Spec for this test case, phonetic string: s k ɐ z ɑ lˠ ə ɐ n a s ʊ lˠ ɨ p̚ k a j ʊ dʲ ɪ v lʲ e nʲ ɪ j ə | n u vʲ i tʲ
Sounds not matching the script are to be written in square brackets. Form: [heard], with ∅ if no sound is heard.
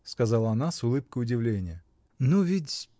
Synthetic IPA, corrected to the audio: s k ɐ z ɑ lˠ ə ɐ n a s ʊ lˠ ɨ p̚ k [ə] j ʊ dʲ ɪ v lʲ e nʲ ɪ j ə | n u vʲ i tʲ